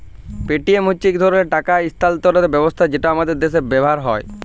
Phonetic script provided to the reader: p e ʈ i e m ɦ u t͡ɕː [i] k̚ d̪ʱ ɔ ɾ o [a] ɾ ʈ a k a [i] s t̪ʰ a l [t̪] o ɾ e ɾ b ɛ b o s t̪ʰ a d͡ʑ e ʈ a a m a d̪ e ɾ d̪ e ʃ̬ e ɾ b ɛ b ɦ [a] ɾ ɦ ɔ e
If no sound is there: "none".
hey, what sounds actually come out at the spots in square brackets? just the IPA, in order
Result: i, e, i, t̪, a

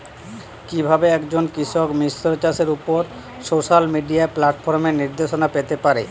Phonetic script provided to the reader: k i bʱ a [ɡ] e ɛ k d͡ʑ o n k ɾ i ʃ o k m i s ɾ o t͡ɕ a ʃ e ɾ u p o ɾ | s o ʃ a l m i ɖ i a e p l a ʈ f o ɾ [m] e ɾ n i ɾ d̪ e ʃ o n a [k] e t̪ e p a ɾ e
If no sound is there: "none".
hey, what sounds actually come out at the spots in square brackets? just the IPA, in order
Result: b, m, p

